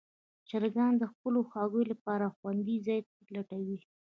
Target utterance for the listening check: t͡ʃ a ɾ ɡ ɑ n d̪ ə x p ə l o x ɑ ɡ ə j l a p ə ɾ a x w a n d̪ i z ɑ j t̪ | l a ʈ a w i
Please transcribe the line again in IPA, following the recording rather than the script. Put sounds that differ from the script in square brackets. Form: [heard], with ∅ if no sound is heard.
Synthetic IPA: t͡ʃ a ɾ ɡ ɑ n d̪ ə x p ə l o x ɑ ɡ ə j l a p [ɑ] ɾ a x w a n d̪ i z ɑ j t̪ | l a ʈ a w i